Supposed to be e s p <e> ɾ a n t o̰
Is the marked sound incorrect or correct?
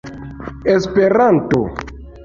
correct